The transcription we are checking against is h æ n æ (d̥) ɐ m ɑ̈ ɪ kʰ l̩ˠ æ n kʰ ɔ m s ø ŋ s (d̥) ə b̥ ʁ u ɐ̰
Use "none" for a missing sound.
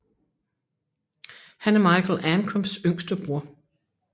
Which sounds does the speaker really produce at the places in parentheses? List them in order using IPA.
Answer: none, d̥

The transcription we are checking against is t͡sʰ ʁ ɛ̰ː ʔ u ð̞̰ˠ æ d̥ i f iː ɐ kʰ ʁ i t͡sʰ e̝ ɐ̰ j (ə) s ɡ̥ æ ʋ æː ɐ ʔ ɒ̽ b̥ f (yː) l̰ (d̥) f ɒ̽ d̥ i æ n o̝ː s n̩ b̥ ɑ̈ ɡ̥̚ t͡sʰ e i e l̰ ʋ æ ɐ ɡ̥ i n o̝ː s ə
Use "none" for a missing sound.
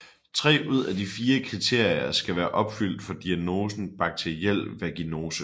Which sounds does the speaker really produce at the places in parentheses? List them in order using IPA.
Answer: ɐ, y, d̥

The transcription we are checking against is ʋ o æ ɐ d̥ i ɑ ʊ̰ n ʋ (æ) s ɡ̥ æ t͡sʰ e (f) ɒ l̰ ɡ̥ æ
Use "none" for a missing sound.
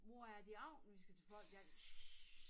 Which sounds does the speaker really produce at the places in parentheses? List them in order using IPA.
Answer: i, f

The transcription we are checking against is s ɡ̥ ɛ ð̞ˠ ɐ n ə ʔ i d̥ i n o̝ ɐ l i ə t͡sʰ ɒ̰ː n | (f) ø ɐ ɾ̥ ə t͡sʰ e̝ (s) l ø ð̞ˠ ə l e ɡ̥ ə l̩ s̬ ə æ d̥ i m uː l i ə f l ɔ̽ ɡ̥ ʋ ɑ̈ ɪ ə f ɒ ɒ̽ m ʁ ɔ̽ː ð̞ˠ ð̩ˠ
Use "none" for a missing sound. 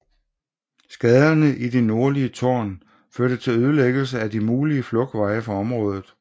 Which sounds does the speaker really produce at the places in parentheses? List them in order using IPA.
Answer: f, none

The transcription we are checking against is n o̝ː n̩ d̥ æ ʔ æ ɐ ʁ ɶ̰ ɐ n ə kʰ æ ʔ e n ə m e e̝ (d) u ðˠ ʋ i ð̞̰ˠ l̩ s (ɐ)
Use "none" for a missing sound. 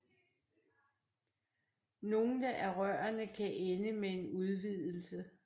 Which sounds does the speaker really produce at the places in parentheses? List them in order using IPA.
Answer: n, ə

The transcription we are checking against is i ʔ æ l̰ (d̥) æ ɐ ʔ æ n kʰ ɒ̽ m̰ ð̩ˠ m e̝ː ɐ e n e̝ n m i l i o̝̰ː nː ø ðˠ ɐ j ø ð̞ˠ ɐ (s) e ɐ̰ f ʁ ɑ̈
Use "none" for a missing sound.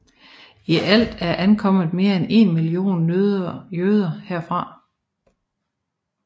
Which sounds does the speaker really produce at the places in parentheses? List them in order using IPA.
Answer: d̥, h

